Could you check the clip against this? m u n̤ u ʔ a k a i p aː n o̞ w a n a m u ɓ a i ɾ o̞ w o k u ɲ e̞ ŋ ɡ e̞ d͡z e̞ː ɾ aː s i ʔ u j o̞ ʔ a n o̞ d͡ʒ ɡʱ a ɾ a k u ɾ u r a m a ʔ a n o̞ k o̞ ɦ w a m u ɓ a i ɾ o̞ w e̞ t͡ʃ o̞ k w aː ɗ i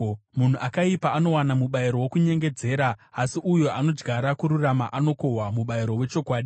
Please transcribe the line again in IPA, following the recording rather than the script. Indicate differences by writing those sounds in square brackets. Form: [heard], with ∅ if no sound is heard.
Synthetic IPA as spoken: m u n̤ u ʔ a k a i p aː n o̞ w a n a m u ɓ a i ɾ o̞ w o k u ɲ e̞ ŋ ɡ e̞ d͡z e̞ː ɾ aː s i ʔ u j o̞ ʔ a n o̞ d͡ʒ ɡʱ a ɾ a k u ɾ u r a m a ʔ a n o̞ k o̞ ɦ w a m u ɓ a i ɾ o̞ w e̞ t͡ʃ o̞ k w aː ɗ i